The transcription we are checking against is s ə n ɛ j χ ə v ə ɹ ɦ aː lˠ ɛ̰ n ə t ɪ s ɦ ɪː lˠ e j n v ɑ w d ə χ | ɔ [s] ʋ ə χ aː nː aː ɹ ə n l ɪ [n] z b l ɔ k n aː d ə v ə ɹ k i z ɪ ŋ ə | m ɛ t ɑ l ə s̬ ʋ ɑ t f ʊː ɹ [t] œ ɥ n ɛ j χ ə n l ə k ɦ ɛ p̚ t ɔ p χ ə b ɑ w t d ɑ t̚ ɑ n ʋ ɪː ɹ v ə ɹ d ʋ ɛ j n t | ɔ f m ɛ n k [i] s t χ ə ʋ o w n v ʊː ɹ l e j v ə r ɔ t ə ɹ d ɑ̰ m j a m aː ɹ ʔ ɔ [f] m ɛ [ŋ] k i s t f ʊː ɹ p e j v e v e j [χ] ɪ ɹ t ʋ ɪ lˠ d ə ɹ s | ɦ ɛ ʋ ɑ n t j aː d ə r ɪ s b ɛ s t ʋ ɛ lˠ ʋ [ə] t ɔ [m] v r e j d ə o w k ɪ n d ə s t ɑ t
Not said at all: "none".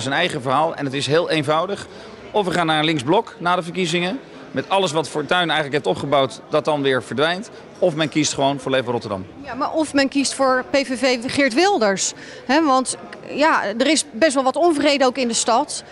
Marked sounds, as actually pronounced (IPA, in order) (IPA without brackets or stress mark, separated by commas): f, ŋ, t, i, f, n, χ, ɑ, n